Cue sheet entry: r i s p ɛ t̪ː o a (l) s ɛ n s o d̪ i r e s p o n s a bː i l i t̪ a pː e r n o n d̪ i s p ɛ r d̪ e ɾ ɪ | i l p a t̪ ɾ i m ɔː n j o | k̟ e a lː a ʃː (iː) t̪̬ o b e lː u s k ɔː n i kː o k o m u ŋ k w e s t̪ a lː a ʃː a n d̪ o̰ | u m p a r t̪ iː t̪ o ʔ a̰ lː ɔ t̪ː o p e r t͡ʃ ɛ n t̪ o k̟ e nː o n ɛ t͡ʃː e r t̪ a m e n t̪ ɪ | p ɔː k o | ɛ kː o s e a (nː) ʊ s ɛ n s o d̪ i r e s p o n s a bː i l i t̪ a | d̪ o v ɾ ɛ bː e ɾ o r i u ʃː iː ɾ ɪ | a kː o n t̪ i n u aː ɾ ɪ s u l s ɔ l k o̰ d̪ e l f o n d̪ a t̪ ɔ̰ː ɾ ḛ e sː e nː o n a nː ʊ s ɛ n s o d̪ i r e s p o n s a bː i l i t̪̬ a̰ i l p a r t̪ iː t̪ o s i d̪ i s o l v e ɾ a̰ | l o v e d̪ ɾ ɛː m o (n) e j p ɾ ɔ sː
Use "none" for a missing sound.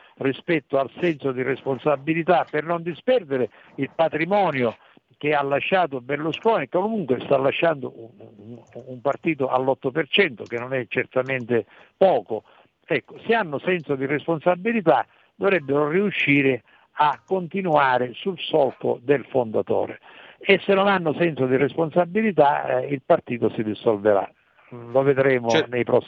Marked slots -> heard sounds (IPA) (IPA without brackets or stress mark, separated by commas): l, aː, nː, n